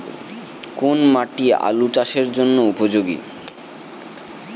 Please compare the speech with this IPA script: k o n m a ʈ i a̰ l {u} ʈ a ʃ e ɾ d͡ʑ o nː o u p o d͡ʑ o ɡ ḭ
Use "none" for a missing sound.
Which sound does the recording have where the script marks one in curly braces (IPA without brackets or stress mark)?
u